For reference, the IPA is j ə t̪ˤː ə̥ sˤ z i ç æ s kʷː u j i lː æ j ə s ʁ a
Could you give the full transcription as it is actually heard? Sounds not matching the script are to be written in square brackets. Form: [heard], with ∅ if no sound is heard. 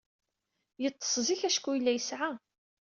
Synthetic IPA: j ə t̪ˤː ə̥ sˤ z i ç æ [ʃ] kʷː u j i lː æ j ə s [ʕ] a